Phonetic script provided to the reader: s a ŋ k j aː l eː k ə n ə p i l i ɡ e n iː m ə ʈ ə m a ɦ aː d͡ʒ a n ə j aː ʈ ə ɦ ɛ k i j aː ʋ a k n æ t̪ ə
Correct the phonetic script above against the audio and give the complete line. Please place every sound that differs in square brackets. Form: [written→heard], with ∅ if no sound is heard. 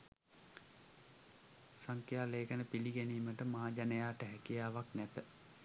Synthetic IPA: s a ŋ k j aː l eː k ə n ə p i l i ɡ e n iː m ə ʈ ə m a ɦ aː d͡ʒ a n ə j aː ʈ ə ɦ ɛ k i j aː ʋ a k n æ t̪ ə